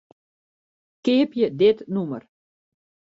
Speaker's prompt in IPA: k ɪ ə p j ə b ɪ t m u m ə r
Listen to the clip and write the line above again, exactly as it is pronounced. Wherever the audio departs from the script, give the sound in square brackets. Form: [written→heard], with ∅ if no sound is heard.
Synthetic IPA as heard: k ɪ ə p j ə [b→d] ɪ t [m→n] u m ə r